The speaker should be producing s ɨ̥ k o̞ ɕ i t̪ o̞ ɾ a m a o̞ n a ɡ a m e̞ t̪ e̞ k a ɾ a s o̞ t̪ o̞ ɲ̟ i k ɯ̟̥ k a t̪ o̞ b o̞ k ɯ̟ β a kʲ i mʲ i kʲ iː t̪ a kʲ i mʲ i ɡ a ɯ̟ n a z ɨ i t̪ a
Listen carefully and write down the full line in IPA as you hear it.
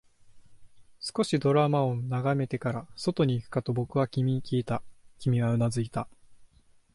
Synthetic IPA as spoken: s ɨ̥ k o̞ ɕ i d̪ o̞ ɾ a m a o̞ n a ɡ a m e̞ t̪ e̞ k a ɾ a s o̞ t̪ o̞ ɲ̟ iː k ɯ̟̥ k a t̪ o̞ b o̞ k ɯ̟ β a kʲ i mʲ i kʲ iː t̪ a kʲ i mʲ i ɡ a ɯ̟ n a z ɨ i t̪ a

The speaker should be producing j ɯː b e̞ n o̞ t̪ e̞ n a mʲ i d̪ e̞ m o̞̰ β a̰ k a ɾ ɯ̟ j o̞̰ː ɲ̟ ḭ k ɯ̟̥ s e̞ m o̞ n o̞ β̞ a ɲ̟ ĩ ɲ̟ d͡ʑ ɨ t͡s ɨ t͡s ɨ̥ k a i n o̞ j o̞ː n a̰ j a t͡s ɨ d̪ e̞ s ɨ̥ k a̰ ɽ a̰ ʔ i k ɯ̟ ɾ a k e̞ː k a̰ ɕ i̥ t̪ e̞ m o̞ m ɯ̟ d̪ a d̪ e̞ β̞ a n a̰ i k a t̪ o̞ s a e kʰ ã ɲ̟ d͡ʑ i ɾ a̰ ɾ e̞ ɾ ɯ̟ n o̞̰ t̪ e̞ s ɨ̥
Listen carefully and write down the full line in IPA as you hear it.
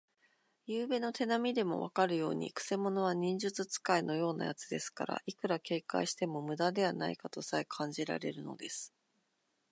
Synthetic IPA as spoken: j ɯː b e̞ n o̞ t̪ e̞ n a mʲ i d̪ e̞ m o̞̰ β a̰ k a ɾ ɯ̟ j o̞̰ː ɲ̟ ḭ k ɯ̟̥ s e̞ m o̞ n o̞ β̞ a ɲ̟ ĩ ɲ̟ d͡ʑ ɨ t͡s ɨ t͡s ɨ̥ k a i n o̞ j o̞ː n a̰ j a t͡s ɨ d̪ e̞ s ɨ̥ k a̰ ɾ a̰ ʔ i k ɯ̟ ɾ a k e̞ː k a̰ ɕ i̥ t̪ e̞ m o̞ m ɯ̟ d̪ a d̪ e̞ β̞ a n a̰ i k a t̪ o̞ s a e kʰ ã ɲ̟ d͡ʑ i ɾ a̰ ɾ e̞ ɾ ɯ̟ n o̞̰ d̪ e̞ s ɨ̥

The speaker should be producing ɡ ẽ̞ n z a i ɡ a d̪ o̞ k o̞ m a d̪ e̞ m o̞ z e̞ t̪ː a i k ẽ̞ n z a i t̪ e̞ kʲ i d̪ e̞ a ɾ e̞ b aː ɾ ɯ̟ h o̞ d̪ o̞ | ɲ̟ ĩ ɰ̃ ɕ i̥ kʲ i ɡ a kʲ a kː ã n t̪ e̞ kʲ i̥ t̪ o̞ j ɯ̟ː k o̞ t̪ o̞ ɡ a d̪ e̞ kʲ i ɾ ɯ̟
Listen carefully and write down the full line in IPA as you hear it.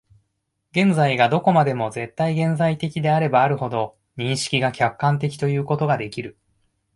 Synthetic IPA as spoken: ɡ ẽ̞ n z a i ɡ a d̪ o̞ k o̞ m a d̪ e̞ m o̞ z e̞ t̪ː a i ɡ ẽ̞ n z a i t̪ e̞ kʲ i d̪ e̞ a ɾ e̞ b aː ɾ ɯ̟ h o̞ d̪ o̞ | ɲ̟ ĩ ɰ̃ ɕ i̥ kʲ i ɡ a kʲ a kː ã n t̪ e̞ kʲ i̥ t̪ o̞ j ɯ̟ː k o̞ t̪ o̞ ɡ a d̪ e̞ kʲ i ɾ ɯ̟

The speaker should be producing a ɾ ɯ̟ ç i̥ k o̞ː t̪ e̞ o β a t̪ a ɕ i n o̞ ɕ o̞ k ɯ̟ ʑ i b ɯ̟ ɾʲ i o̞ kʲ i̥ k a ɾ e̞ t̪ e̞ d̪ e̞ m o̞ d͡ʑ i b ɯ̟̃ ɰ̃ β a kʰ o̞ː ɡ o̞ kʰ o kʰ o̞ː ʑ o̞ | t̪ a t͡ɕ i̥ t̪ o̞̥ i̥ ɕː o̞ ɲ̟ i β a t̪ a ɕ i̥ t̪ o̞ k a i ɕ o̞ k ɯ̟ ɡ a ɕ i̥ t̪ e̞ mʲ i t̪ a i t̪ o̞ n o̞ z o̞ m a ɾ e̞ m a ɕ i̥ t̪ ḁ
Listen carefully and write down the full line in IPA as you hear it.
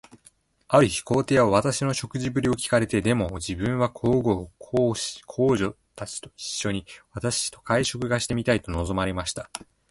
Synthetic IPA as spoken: a ɾ ɯ̟ ç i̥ k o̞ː t̪ e̞ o β a t̪ a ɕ i n o̞ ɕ o̞ k ɯ̟ ʑ i b ɯ̟ ɾʲ i o̞ kʲ i̥ k a ɾ e̞ t̪ e̞ d̪ e̞ m o̞ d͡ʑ i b ɯ̟̃ ɰ̃ β a kʰ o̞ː ɡ o̞ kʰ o kʰ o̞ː ʑ o̞ | t̪ a t͡ɕ i̥ t̪ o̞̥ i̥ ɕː o̞ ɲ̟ i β a t̪ a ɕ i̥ t̪ o̞ k a i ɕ o̞ k ɯ̟ ɡ a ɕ i̥ t̪ e̞ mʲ i t̪ a i t̪ o̞ n o̞ z o̞ m a ɾ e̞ m a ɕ i̥ t̪ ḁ

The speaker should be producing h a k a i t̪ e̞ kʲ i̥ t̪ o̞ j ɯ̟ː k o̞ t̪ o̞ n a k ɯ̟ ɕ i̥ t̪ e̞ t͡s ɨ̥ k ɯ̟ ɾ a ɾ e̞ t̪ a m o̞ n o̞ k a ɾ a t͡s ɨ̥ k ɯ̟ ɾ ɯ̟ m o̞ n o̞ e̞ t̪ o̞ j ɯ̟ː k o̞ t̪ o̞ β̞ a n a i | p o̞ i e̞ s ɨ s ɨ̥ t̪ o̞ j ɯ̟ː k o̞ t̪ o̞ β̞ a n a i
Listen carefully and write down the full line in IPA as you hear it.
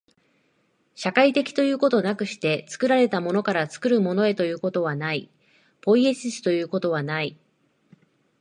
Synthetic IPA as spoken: ɕ a k a i t̪ e̞ kʲ i̥ t̪ o̞ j ɯ̟ː k o̞ t̪ o̞ n a k ɯ̟ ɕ i̥ t̪ e̞ t͡s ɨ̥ k ɯ̟ ɾ a ɾ e̞ t̪ a m o̞ n o̞ k a ɾ a t͡s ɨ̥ k ɯ̟ ɾ ɯ̟ m o̞ n o̞ e̞ t̪ o̞ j ɯ̟ː k o̞ t̪ o̞ β̞ a n a i | p o̞ i e̞ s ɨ s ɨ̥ t̪ o̞ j ɯ̟ː k o̞ t̪ o̞ β̞ a n a i

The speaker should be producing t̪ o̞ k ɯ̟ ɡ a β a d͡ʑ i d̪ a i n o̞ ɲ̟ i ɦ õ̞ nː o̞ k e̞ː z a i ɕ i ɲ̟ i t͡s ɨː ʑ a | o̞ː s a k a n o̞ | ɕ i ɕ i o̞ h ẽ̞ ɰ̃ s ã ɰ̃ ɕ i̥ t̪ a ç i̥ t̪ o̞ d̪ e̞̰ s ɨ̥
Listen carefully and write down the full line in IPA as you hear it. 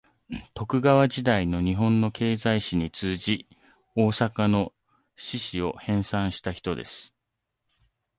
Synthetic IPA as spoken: t̪ o̞ k ɯ̟ ɡ a β a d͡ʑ i d̪ a i n o̞ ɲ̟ i ɦ õ̞ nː o̞ k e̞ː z a i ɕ i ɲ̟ i t͡s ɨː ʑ i | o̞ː s a k a n o̞ | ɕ i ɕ i o̞ h ẽ̞ ɰ̃ s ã ɰ̃ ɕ i̥ t̪ a ç i̥ t̪ o̞ d̪ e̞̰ s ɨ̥

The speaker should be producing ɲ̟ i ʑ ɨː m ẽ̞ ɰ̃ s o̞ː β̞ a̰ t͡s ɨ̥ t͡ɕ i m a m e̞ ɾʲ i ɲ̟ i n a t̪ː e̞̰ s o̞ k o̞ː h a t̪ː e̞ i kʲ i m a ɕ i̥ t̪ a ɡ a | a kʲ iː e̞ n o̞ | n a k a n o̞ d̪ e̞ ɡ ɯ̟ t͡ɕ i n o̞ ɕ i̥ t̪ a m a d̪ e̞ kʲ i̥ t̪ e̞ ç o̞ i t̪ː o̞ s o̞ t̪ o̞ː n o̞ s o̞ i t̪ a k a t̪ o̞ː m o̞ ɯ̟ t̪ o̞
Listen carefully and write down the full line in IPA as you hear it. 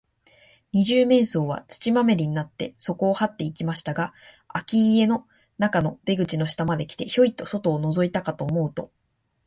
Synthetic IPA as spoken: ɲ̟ i ʑ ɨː m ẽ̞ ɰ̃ s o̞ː β̞ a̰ t͡s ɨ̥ t͡ɕ i m a m e̞ ɾʲ i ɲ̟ i n a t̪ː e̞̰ s o̞ k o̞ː h a t̪ː e̞ i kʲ i m a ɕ i̥ t̪ a ɡ a | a kʲ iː e̞ n o̞ | n a k a n o̞ d̪ e̞ ɡ ɯ̟ t͡ɕ i n o̞ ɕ i̥ t̪ a m a d̪ e̞ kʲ i̥ t̪ e̞ ç o̞ i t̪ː o̞ s o̞ t̪ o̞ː n o̞ z o̞ i t̪ a k a t̪ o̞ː m o̞ ɯ̟ t̪ o̞

